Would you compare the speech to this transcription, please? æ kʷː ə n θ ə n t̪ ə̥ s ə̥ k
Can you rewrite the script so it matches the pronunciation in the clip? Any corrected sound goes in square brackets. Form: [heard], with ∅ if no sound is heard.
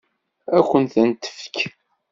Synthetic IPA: æ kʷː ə n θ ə n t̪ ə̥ [f] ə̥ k